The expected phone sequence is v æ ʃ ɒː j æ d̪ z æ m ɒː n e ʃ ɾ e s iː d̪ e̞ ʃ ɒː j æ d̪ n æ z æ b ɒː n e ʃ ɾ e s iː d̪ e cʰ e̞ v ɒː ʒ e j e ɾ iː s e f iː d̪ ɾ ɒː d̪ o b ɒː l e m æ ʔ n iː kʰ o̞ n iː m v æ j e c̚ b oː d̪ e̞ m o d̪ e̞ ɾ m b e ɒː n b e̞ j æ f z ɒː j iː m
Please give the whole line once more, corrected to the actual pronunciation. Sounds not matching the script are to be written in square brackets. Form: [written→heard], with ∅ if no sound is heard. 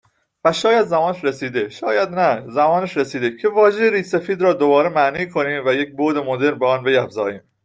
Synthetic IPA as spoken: v æ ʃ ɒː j æ d̪ z æ m ɒː n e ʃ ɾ e s iː d̪ e̞ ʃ ɒː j æ d̪ n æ z æ [b→m] ɒː n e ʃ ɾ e s iː d̪ e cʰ e̞ v ɒː ʒ e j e ɾ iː s e f iː d̪ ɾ ɒː d̪ o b ɒː [l→ɾ] e m æ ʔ n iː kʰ o̞ n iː m v æ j e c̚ b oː d̪ e̞ m o d̪ e̞ ɾ m b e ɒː n b e̞ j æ f z ɒː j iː m